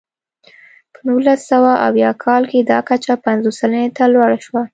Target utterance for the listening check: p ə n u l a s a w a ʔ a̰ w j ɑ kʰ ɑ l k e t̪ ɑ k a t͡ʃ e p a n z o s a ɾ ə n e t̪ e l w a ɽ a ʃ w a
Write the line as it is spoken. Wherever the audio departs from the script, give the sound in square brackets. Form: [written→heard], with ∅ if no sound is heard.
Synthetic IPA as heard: p ə n u l a s a w a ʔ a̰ w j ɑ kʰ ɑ l k e [t̪→d̪] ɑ k a t͡ʃ [e→a] p a n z o s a [ɾ→l] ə n e t̪ [e→a] l w a ɽ a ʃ w a